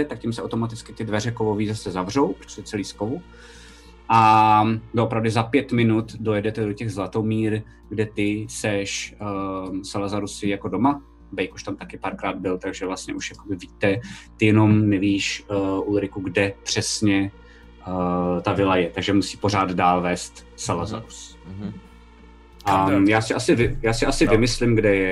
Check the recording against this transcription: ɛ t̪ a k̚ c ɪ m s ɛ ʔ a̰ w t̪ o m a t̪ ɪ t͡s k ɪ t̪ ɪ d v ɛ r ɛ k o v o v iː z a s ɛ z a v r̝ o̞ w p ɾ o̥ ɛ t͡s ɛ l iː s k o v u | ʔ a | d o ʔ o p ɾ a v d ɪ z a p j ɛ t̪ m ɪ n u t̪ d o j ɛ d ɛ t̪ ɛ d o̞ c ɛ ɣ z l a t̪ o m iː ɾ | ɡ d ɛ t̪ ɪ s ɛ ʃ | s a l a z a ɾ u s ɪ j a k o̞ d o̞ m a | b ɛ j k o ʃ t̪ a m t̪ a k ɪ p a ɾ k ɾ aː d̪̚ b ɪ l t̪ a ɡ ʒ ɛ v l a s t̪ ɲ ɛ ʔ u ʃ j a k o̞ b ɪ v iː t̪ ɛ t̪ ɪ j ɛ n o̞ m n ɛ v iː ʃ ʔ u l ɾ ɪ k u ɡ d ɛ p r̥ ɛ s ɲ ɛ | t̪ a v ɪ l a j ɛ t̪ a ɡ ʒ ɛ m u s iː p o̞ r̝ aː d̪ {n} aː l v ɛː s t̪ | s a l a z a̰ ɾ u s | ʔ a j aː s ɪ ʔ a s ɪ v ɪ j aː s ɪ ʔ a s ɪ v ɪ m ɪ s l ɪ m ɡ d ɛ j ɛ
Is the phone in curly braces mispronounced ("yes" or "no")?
yes